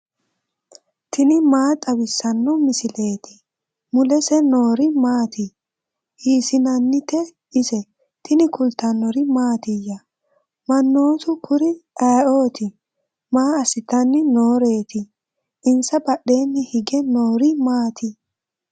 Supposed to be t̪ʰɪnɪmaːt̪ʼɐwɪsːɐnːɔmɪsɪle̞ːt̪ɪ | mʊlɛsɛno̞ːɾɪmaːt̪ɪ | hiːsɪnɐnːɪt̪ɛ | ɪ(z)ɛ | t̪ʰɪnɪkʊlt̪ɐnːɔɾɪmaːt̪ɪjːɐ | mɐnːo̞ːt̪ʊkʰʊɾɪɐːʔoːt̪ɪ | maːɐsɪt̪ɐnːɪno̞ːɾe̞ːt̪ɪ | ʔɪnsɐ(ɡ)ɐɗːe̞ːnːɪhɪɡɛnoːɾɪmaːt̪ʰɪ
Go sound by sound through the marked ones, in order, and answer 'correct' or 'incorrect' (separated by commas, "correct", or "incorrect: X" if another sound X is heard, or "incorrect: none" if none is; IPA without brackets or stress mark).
incorrect: s, incorrect: b